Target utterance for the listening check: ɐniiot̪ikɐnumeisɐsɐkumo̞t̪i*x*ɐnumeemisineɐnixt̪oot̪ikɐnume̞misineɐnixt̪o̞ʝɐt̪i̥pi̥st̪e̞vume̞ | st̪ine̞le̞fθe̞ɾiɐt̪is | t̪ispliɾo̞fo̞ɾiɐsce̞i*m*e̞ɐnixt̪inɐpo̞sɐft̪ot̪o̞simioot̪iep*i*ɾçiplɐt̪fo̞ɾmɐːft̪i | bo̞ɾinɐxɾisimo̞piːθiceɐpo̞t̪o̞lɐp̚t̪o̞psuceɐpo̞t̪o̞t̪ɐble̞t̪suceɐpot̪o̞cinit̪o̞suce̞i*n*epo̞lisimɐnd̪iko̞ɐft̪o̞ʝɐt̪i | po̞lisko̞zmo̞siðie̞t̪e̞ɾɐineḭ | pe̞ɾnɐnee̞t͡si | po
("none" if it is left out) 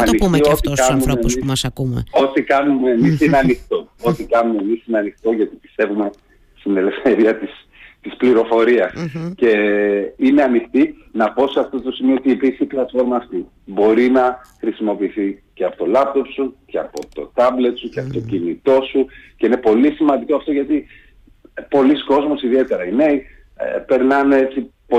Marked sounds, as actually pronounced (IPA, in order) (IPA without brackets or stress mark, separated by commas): k, n, i, n